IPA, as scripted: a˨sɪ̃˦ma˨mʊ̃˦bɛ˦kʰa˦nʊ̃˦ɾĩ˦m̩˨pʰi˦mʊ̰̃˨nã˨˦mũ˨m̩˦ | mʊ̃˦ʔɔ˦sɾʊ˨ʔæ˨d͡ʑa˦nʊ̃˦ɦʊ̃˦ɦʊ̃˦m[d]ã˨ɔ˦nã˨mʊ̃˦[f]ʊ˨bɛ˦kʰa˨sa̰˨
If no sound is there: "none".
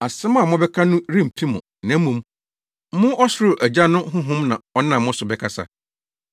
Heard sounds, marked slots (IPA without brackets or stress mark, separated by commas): n, s